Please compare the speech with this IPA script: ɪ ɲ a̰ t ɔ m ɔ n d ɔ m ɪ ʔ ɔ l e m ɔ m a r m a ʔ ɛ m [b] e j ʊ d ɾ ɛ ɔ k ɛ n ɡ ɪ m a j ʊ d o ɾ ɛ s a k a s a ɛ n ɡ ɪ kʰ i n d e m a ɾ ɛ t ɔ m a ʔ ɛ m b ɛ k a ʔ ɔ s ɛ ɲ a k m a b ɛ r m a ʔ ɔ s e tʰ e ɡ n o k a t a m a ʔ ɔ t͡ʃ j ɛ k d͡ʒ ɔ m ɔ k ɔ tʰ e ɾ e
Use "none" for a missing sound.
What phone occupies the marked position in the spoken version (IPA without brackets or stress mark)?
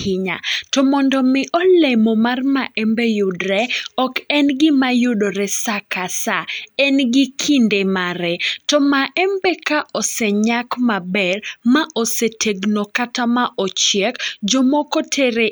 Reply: b